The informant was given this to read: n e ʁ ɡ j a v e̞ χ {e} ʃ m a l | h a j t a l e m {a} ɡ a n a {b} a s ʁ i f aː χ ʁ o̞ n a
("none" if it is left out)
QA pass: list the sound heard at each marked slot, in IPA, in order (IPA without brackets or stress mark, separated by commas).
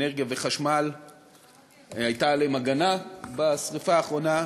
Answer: a, a, b